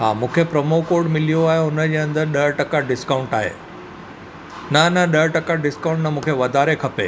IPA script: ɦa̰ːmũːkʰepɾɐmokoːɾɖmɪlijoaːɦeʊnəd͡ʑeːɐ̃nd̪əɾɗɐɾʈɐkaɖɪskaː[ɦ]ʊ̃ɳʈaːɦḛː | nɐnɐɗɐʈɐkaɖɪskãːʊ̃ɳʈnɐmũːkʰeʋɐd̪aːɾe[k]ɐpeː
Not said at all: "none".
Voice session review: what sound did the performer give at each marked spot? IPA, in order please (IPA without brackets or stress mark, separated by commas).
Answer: none, kʰ